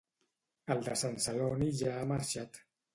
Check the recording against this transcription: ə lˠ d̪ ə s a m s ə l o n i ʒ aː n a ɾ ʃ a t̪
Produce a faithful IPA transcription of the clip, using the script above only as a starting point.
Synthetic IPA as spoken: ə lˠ d̪ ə s a n s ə l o n i ʒ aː m a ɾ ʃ a t̪